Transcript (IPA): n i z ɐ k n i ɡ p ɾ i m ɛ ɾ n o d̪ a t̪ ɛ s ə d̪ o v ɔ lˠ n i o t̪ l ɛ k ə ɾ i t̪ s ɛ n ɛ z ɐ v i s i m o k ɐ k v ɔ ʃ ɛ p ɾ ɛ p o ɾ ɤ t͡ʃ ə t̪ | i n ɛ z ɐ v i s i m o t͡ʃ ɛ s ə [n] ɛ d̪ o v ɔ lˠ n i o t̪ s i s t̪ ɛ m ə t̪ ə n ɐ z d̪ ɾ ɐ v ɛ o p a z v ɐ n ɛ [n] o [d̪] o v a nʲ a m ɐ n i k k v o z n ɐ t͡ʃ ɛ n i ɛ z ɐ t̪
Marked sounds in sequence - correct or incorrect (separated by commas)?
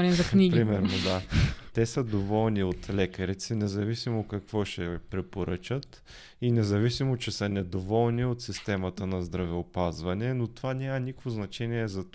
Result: correct, correct, incorrect